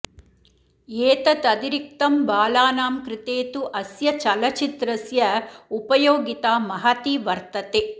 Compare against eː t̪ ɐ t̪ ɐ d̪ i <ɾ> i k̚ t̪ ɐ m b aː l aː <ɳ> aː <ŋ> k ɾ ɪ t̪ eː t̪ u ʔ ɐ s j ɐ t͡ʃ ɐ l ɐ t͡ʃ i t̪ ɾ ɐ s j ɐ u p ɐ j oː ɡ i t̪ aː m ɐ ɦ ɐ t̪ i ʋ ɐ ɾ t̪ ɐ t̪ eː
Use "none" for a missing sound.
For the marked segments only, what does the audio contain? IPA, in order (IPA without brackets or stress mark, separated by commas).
ɾ, n, m